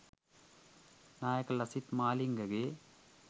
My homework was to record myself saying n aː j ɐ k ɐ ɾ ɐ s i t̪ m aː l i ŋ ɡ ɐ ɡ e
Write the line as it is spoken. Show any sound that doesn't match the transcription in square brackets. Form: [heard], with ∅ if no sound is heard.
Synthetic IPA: n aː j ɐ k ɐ [l] ɐ s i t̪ m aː l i ŋ ɡ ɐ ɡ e